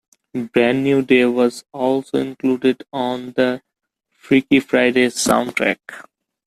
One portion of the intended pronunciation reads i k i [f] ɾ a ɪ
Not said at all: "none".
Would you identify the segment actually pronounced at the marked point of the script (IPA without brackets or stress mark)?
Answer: f